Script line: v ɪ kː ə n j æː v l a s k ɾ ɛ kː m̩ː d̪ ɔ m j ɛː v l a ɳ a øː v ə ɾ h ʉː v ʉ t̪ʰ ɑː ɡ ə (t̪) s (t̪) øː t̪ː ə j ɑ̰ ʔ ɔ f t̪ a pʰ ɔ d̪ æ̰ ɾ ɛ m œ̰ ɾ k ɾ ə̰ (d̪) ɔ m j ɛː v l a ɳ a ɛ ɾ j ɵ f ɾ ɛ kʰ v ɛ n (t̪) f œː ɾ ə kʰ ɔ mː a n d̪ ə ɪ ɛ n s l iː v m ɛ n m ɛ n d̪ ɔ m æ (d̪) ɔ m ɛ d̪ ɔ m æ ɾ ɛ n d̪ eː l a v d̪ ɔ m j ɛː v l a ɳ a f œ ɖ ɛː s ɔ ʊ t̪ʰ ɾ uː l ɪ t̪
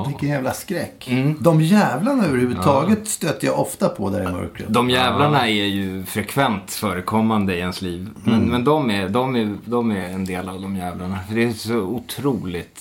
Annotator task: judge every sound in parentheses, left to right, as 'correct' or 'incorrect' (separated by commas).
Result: correct, correct, correct, correct, correct